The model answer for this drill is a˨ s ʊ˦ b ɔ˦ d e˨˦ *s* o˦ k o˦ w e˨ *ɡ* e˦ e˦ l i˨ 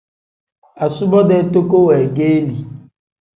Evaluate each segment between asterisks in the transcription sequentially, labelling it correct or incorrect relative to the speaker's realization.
incorrect: t, correct

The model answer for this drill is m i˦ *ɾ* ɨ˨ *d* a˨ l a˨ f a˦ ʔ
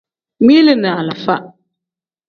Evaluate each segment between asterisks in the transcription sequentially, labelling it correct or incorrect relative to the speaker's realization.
incorrect: l, incorrect: n

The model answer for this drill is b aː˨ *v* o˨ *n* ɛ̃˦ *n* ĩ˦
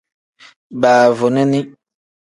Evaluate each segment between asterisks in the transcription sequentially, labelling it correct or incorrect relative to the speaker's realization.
correct, correct, correct

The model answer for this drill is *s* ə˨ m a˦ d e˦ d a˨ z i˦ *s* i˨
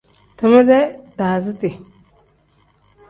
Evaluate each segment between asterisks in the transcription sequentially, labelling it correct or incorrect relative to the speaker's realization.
incorrect: t, incorrect: t

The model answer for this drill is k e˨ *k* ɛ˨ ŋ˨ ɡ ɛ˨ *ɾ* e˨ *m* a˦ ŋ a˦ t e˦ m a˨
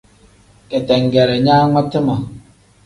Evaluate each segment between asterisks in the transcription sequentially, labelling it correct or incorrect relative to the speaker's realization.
incorrect: t, correct, incorrect: ɲ

